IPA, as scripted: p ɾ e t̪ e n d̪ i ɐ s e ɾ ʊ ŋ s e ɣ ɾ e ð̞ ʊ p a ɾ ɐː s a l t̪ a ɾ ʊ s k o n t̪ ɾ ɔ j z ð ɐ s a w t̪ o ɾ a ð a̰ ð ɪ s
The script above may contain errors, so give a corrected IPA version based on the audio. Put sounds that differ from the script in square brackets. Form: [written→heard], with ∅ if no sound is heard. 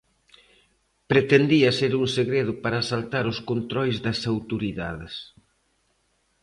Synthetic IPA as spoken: p ɾ e t̪ e n d̪ i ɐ s e ɾ [ʊ→u] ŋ s e ɣ ɾ e ð̞ ʊ p a ɾ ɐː s a l t̪ a ɾ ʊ s k o n t̪ ɾ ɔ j z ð ɐ s a w t̪ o ɾ [a→i] ð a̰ ð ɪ s